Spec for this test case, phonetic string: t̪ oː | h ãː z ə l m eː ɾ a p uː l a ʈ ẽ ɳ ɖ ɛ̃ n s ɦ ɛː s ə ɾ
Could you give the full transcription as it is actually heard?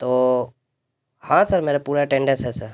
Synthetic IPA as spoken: t̪ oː | h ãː s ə ɾ m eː ɾ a p uː ɾ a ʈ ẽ ɳ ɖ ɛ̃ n s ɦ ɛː s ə ɾ